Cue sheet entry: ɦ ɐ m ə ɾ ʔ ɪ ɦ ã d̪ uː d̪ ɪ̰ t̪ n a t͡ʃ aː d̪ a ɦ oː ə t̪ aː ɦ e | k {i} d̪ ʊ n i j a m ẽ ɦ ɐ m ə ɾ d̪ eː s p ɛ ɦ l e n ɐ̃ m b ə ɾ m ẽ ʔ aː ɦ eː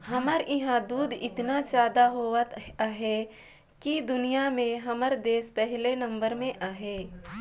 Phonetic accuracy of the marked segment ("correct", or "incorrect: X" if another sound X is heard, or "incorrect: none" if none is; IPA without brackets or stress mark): correct